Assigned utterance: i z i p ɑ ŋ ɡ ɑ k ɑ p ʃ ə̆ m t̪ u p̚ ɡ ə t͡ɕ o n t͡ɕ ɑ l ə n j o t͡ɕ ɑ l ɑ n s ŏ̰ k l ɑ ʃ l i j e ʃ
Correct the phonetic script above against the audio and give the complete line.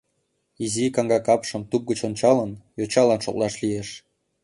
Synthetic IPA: i z i k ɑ ŋ ɡ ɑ k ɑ p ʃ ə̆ m t̪ u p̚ ɡ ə t͡ɕ o n t͡ɕ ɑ l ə n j o t͡ɕ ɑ l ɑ n ʃ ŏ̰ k l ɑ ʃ l i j e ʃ